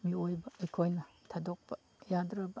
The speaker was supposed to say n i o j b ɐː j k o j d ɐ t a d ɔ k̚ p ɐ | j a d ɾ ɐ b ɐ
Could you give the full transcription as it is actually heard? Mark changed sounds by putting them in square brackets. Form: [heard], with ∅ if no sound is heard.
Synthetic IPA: [m] i o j b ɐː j [kʰ] o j [n] ɐ [tʰ] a d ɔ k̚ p ɐ | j a d ɾ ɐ b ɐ